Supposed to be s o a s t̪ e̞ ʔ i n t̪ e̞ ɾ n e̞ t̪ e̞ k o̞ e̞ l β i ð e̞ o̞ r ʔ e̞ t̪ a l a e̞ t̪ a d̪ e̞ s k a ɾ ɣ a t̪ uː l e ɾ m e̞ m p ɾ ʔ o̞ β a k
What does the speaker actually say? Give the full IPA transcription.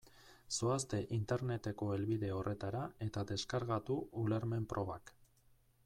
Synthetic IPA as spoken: s o a s t̪ e̞ ʔ i n t̪ e̞ ɾ n e̞ t̪ e̞ k o̞ e̞ l β i ð e̞ o̞ r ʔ e̞ t̪ a ɾ a e̞ t̪ a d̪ e̞ s k a ɾ ɣ a t̪ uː l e ɾ m e̞ m p ɾ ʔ o̞ β a k